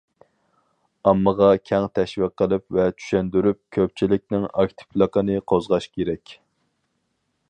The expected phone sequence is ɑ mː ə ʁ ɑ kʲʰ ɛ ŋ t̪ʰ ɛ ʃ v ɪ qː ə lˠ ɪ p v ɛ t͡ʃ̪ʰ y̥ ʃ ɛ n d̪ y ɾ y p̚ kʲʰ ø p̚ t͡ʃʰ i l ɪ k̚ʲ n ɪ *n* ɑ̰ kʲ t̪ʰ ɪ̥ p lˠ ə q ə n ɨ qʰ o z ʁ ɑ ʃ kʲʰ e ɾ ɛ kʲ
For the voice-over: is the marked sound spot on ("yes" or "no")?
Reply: no